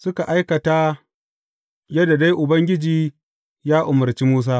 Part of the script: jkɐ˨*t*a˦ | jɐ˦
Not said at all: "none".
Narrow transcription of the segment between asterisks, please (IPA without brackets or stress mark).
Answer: t